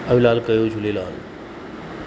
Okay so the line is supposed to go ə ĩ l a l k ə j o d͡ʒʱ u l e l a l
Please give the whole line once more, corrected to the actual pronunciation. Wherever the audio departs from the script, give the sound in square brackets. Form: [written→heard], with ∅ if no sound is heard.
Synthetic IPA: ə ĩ l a l k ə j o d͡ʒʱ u l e l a l

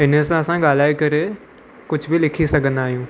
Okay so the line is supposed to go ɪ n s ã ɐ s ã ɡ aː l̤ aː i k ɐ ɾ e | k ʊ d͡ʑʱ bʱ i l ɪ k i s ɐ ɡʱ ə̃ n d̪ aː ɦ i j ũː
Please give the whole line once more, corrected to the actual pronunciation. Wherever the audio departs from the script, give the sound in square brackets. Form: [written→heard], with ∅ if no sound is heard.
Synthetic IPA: ɪ n s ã ɐ s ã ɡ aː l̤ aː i k ɐ ɾ e | k ʊ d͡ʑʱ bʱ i l ɪ [k→kʰ] i s ɐ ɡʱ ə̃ n d̪ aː ɦ i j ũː

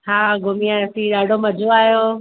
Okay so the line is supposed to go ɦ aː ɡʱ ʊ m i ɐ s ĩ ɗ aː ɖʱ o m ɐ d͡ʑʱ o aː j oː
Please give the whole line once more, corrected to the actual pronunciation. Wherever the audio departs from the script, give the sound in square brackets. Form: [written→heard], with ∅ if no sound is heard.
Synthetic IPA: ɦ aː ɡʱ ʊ m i [ɐ→a] s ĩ ɗ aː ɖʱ o m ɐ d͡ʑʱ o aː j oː

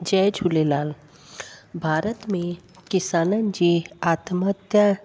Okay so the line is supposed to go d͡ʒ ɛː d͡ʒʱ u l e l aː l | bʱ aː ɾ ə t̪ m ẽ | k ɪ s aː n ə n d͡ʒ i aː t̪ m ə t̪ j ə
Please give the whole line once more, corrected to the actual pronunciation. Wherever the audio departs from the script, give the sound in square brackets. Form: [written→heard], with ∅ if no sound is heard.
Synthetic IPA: d͡ʒ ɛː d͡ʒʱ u l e l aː l | bʱ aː ɾ ə t̪ m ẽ | k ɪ s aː n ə n d͡ʒ i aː t̪ m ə t̪ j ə

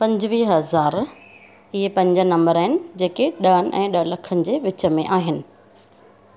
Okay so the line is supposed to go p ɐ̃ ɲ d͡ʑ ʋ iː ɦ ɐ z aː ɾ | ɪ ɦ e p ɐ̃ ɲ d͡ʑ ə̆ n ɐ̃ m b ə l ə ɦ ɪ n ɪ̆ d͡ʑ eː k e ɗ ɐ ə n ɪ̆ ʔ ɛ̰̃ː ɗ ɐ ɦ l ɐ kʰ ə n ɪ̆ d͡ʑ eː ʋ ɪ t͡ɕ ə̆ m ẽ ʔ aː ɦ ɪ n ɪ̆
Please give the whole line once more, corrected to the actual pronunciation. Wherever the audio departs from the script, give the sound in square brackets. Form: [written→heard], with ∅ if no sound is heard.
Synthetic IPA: p ɐ̃ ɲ d͡ʑ ʋ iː ɦ ɐ z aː ɾ | ɪ ɦ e p ɐ̃ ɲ d͡ʑ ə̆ n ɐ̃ m b ə [l→ɾ] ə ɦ ɪ n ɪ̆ d͡ʑ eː k e ɗ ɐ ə n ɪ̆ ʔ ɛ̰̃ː ɗ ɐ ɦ l ɐ kʰ ə n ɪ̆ d͡ʑ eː ʋ ɪ t͡ɕ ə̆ m ẽ ʔ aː ɦ ɪ n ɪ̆

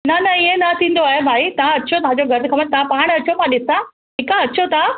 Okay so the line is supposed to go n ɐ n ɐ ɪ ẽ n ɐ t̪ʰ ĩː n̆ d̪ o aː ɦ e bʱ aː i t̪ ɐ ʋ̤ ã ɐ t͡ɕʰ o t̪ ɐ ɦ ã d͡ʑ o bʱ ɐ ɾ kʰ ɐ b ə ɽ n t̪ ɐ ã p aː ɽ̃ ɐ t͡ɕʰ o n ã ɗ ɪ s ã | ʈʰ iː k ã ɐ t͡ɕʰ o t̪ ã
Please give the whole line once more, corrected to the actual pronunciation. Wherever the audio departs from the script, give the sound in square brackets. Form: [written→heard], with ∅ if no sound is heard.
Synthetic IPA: n ɐ n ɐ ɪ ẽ n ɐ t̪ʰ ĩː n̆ d̪ o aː ɦ e bʱ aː i t̪ ɐ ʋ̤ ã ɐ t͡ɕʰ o t̪ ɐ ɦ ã d͡ʑ o [bʱ→ɡʱ] ɐ ɾ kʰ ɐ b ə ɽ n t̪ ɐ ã p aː ɽ̃ ɐ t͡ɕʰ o [n→m] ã ɗ ɪ s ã | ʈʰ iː k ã ɐ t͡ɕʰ o t̪ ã

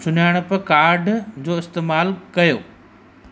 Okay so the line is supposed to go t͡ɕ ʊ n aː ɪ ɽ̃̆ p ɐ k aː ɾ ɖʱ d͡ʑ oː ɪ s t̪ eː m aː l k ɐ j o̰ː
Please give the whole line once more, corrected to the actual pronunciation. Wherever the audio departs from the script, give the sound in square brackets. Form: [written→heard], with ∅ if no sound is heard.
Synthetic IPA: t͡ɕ ʊ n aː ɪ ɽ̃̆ p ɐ k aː ɾ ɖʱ d͡ʑ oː ɪ s t̪ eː m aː l k ɐ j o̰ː

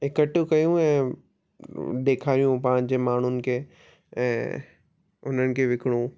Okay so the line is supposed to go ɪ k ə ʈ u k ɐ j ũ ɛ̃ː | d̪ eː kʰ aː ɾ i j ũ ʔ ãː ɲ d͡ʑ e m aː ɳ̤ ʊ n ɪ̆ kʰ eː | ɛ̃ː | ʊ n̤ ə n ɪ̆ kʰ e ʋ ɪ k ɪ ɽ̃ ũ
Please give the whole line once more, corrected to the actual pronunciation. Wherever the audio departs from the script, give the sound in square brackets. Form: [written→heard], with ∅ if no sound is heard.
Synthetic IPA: ɪ k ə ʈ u k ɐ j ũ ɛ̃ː | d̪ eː kʰ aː ɾ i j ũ [ʔ→p] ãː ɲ d͡ʑ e m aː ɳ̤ ʊ n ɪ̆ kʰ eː | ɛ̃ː | ʊ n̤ ə n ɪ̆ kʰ e ʋ ɪ k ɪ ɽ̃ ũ

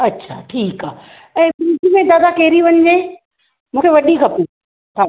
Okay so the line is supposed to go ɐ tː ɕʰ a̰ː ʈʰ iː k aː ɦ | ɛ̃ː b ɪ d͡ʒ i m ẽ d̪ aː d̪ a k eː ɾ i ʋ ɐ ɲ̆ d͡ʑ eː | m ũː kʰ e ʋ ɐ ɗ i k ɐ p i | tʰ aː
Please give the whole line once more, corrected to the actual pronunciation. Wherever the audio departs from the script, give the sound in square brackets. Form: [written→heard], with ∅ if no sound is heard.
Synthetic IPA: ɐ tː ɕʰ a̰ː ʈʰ iː k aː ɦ | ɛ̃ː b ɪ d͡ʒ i m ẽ d̪ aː d̪ a k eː ɾ i ʋ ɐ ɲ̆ d͡ʑ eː | m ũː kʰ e ʋ ɐ ɗ i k ɐ p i | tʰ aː

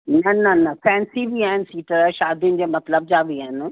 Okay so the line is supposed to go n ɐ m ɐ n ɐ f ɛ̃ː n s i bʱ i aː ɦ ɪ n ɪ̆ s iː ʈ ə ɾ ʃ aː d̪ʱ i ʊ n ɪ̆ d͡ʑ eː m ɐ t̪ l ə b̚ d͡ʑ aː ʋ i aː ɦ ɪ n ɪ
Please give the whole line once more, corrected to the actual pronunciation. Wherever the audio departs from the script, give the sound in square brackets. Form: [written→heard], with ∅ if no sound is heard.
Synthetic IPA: n ɐ [m→n] ɐ n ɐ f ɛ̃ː n s i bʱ i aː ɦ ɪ n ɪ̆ s iː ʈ ə ɾ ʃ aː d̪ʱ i ʊ n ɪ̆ d͡ʑ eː m ɐ t̪ l ə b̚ d͡ʑ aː ʋ i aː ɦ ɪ n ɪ

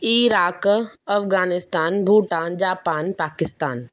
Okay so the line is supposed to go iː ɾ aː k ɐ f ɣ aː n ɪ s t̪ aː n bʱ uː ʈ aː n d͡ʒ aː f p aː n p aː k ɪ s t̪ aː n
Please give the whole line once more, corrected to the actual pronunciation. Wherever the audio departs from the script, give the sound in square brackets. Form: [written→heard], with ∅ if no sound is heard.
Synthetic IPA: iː ɾ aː k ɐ f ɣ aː n ɪ s t̪ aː n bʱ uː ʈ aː n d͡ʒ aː [f→∅] p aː n p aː k ɪ s t̪ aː n

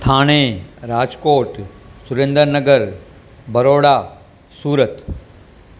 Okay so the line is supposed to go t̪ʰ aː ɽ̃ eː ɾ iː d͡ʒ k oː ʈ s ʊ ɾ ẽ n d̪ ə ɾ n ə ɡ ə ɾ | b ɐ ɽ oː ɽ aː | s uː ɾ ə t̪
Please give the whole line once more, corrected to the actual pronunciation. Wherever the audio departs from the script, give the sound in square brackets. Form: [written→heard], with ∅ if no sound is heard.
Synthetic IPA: t̪ʰ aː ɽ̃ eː ɾ [iː→aː] d͡ʒ k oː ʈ s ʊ ɾ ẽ n d̪ ə ɾ n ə ɡ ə ɾ | b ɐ [ɽ→ɾ] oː ɽ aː | s uː ɾ ə t̪

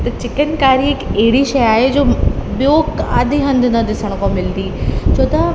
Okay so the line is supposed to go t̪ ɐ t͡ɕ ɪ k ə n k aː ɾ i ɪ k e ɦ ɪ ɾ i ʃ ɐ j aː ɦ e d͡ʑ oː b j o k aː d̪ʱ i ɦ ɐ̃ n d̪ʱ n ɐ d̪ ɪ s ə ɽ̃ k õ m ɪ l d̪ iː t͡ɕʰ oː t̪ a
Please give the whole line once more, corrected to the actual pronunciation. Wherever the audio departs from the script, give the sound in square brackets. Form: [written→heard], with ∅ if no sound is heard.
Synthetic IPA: t̪ ɐ t͡ɕ ɪ k ə n k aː ɾ i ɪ k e ɦ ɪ [ɾ→ɽ] i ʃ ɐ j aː ɦ e d͡ʑ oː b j o k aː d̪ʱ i ɦ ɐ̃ n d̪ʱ n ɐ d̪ ɪ s ə ɽ̃ k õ m ɪ l d̪ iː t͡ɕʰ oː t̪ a

